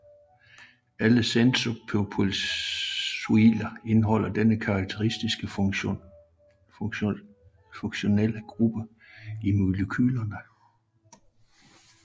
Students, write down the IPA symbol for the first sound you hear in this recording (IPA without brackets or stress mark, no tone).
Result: æ